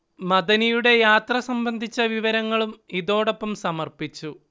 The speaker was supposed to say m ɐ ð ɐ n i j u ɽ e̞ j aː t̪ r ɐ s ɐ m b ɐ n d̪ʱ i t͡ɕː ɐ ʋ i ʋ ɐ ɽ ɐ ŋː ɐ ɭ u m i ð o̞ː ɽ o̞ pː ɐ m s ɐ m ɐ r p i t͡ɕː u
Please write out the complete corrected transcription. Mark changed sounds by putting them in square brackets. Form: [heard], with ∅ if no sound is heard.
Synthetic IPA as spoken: m ɐ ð ɐ n i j u ɽ e̞ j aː t̪ r ɐ s ɐ m b ɐ n d̪ʱ i t͡ɕː ɐ ʋ i ʋ ɐ [ɾ] ɐ ŋː ɐ ɭ u m i ð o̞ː ɽ o̞ pː ɐ m s ɐ m ɐ r p i t͡ɕː u